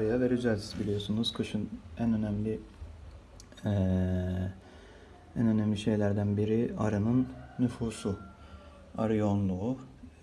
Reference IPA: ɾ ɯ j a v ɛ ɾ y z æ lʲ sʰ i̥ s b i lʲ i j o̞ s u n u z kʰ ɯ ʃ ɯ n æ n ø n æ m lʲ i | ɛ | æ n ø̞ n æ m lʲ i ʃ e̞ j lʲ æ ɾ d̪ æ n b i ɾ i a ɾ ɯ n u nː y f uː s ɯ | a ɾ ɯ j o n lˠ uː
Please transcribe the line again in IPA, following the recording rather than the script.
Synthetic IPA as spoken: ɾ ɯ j a v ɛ ɾ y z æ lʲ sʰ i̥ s b i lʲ i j o̞ s u n u z kʰ ɯ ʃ ɯ n æ n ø n æ m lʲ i | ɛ | æ n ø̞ n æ m lʲ i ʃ e̞ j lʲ æ ɾ d̪ æ n b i ɾ i a ɾ ɯ n ɯ nː y f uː s u | a ɾ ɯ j o n lˠ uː